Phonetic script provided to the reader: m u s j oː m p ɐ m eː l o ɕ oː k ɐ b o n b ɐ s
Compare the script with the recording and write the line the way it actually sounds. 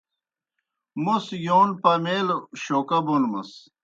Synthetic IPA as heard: m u s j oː n p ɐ m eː l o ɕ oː k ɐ b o n m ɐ s